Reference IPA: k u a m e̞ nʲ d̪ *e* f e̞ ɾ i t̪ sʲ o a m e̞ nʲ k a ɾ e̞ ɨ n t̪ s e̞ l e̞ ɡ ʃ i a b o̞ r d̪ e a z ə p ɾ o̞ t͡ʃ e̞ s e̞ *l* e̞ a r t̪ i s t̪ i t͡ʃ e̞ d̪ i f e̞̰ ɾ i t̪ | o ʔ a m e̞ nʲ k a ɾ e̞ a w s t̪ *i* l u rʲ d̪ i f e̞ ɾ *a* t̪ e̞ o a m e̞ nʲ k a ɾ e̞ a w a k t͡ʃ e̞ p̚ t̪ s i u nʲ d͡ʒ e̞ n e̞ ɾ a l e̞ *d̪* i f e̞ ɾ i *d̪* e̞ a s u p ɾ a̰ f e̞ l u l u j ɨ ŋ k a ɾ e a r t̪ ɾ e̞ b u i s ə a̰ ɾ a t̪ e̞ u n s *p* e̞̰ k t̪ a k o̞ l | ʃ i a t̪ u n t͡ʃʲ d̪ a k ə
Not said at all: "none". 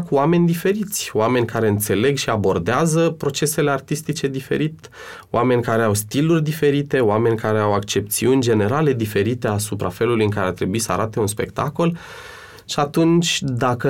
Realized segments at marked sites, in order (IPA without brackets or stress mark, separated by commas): i, l, i, i, d̪, t̪, p